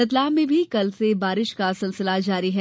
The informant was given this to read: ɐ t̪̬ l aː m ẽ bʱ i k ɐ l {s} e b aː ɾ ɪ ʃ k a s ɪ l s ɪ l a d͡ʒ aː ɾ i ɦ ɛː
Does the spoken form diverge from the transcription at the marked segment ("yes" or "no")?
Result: no